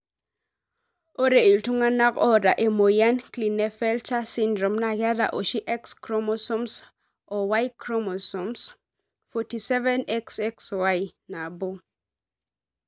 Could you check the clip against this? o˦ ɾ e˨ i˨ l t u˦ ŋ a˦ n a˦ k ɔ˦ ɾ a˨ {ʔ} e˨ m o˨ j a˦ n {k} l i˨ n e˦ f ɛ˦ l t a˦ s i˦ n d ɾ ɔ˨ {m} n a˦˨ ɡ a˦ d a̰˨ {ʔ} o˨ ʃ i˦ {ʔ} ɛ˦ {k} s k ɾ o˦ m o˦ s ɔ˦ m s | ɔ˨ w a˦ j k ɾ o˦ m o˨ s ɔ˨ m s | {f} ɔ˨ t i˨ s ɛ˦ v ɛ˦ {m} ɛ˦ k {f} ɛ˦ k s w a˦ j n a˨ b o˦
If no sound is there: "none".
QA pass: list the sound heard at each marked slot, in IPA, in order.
ʔ, k, m, ʔ, ʔ, k, f, n, s

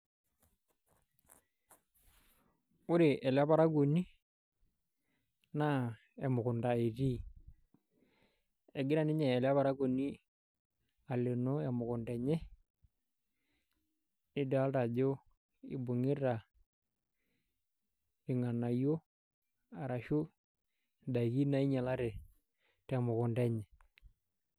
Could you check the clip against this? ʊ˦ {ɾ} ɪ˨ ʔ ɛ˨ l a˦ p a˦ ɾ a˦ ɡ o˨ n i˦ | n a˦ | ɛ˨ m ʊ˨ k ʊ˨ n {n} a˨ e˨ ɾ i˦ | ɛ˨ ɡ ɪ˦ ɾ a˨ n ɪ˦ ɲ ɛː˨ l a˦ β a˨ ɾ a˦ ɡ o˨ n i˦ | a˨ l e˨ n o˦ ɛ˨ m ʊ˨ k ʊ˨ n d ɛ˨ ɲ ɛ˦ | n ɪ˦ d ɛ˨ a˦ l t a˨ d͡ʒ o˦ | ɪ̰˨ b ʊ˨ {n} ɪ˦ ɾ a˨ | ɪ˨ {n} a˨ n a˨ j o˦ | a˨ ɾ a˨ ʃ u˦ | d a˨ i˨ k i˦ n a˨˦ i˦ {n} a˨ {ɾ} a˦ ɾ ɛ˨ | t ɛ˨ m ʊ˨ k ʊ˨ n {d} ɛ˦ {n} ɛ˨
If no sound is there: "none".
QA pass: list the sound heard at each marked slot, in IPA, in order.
ɾ, d, ŋ, ŋ, ɲ, l, d, ɲ

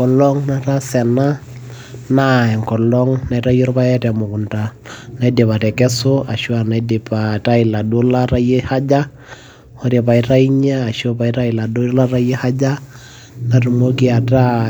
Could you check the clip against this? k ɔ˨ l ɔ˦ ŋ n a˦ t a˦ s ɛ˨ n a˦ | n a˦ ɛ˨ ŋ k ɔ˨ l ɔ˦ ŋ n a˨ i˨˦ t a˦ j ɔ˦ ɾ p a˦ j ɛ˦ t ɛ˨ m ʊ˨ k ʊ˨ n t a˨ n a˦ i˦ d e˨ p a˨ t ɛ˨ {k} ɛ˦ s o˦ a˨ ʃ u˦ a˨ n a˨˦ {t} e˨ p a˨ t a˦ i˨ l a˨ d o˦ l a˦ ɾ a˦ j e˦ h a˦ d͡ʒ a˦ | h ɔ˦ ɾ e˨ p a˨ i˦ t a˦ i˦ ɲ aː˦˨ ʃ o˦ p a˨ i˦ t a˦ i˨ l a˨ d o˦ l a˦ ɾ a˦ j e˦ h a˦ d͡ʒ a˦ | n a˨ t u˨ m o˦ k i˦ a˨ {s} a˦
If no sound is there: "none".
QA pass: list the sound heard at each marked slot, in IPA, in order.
k, d, t

